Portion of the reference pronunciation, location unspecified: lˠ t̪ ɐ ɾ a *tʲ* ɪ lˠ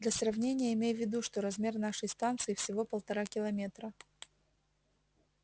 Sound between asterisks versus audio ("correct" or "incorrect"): incorrect